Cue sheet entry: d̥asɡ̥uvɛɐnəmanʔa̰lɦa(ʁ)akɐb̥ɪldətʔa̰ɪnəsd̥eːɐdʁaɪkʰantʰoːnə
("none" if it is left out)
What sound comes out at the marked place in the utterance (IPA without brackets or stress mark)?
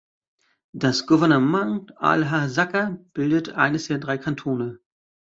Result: z